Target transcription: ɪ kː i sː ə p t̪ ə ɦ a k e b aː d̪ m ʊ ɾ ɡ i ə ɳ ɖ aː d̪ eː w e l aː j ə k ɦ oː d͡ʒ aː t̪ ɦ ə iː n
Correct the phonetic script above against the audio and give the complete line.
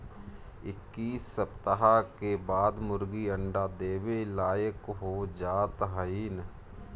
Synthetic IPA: ɪ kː iː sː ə p t̪ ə ɦ a k e b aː d̪ m ʊ ɾ ɡ i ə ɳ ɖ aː d̪ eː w e l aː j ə k ɦ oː d͡ʒ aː t̪ ɦ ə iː n